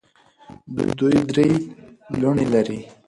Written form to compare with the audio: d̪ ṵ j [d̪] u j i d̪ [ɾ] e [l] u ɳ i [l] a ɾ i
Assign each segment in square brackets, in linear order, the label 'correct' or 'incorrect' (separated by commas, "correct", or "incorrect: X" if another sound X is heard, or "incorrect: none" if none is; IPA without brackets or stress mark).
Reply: correct, correct, correct, correct